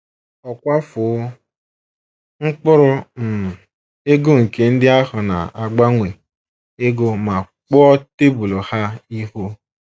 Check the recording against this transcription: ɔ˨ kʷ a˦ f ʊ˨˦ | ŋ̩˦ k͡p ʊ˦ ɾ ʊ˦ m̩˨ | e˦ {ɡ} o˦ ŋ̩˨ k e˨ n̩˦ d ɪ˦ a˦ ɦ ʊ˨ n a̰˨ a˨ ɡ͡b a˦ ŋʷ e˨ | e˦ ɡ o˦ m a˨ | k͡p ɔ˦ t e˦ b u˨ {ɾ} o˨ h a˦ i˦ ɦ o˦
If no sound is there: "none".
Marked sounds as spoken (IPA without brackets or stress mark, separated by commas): ɡ, l